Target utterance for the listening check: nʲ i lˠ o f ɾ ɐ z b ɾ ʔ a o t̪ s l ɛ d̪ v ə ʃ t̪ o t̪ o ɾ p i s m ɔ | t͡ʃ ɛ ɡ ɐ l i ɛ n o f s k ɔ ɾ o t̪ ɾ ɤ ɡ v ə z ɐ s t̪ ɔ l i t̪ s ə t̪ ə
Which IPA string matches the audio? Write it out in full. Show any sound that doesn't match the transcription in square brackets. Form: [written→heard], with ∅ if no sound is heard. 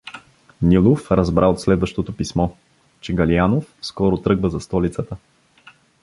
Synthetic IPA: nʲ i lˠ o f ɾ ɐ z b ɾ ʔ a o t̪ s l ɛ d̪ v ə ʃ t̪ o t̪ o [ɾ→∅] p i s m ɔ | t͡ʃ ɛ ɡ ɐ l i [ɛ→a] n o f s k ɔ ɾ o t̪ ɾ ɤ ɡ v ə z ɐ s t̪ ɔ l i t̪ s ə t̪ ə